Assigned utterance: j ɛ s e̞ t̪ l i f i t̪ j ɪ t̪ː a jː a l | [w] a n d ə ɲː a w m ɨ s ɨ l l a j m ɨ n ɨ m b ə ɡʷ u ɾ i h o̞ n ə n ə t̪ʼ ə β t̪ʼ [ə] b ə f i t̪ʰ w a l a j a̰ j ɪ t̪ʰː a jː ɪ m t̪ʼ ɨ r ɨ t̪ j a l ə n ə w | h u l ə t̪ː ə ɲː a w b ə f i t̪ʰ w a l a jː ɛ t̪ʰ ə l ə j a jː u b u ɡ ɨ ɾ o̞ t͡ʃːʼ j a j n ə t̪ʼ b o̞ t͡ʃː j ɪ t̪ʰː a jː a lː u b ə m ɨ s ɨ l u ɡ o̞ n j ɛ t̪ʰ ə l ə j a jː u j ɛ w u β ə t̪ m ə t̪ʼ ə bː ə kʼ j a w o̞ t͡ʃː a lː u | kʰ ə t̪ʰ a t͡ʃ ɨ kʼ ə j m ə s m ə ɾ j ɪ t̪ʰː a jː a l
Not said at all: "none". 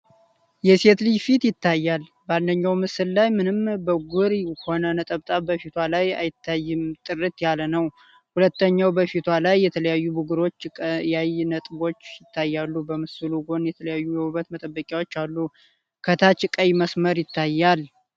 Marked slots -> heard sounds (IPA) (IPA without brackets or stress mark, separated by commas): b, a